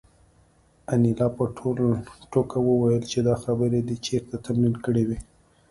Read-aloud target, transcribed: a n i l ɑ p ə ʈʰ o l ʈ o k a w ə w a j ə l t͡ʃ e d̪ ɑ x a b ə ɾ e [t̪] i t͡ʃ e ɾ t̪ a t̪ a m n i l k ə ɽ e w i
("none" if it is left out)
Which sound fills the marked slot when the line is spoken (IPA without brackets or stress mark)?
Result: d̪